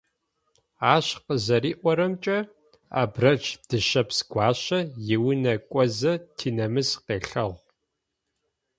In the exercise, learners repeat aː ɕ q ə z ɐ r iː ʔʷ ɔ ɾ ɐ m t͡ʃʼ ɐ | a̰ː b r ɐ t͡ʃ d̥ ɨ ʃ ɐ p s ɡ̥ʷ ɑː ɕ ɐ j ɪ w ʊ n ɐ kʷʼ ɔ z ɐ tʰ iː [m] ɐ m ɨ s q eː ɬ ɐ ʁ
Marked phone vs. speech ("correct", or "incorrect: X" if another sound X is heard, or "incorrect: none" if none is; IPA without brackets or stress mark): incorrect: n